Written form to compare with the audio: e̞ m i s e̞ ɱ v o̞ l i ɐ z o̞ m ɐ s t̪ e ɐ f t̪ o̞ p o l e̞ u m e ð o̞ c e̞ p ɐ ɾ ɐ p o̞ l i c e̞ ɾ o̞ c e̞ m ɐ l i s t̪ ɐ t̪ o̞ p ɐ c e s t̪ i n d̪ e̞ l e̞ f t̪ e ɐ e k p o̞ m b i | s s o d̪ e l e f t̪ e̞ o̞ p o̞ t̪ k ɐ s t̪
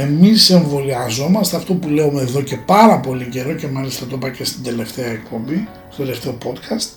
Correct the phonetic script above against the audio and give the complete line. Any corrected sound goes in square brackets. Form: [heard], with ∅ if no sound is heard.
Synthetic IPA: e̞ m i s e̞ ɱ v o̞ l i ɐ z o̞ m ɐ s t̪ e ɐ f t̪ o̞ p [u] l e̞ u m e ð o̞ c e̞ p ɐ ɾ ɐ p o̞ l i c e̞ ɾ o̞ c e̞ m ɐ l i s t̪ ɐ t̪ o̞ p ɐ c e s t̪ i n d̪ e̞ l e̞ f t̪ e ɐ e k p o̞ m b i | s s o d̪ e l e f t̪ e̞ o̞ p o̞ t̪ k ɐ s t̪